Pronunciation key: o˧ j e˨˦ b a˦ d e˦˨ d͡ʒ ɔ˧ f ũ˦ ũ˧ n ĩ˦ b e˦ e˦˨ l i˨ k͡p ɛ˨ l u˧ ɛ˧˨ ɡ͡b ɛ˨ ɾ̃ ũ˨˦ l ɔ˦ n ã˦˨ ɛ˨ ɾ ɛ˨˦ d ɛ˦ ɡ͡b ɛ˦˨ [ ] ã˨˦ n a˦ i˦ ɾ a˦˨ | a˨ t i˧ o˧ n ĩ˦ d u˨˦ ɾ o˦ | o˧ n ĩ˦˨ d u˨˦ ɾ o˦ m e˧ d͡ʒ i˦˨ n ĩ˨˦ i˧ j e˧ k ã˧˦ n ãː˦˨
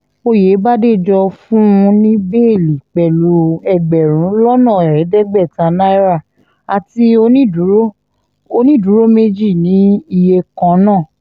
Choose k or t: t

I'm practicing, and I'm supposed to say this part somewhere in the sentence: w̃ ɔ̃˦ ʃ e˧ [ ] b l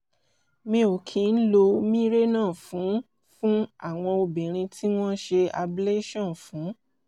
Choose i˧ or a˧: a˧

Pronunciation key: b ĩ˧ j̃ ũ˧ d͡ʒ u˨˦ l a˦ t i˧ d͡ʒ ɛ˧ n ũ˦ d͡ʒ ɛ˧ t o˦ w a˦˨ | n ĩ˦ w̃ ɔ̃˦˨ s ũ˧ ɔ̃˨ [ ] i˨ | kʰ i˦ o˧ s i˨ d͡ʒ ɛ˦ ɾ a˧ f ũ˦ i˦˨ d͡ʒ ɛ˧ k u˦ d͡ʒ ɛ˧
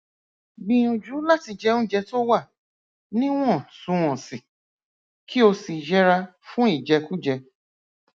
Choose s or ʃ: s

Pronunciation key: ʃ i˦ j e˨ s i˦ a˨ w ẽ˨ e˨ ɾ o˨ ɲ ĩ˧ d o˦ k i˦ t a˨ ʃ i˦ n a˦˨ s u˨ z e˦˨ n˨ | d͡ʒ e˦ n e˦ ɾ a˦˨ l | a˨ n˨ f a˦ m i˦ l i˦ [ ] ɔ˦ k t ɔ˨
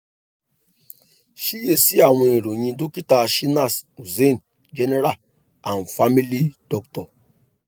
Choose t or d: d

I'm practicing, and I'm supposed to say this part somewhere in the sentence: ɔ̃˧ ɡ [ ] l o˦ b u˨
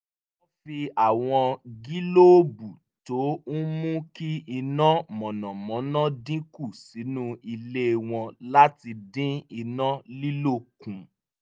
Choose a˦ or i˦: i˦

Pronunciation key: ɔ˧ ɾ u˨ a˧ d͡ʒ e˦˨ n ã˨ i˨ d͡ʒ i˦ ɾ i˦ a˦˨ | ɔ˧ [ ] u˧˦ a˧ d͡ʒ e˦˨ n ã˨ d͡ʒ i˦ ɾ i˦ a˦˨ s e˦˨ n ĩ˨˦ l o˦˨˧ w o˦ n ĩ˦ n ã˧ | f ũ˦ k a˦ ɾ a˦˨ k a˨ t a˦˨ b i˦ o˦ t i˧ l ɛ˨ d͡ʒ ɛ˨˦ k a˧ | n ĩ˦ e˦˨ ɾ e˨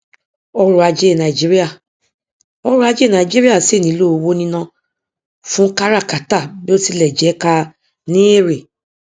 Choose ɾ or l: ɾ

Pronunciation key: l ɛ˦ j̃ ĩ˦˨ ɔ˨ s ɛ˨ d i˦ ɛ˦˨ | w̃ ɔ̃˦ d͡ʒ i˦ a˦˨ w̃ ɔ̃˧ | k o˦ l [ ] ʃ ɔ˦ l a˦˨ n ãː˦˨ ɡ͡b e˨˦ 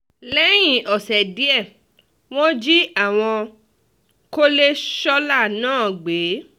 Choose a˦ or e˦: e˦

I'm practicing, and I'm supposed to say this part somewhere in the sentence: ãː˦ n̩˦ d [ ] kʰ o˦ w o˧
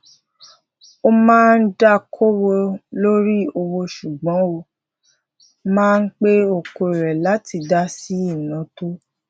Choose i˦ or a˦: a˦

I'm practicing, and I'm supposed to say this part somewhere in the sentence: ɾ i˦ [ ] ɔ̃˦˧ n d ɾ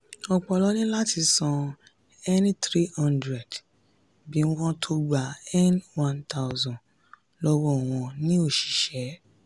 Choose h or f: h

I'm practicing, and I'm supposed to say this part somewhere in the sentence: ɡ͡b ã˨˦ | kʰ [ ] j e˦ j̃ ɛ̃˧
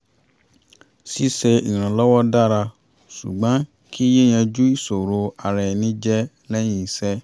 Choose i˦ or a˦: i˦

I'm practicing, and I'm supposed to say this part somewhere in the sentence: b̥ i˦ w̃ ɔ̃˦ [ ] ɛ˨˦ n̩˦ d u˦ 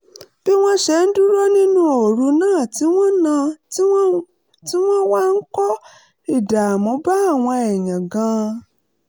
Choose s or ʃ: ʃ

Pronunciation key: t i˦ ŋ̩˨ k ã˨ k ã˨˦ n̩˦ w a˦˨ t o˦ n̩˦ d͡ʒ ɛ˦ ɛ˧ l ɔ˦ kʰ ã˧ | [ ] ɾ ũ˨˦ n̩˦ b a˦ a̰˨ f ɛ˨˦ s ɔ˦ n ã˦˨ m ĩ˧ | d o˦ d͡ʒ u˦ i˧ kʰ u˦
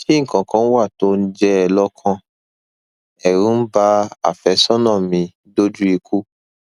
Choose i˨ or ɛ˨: ɛ˨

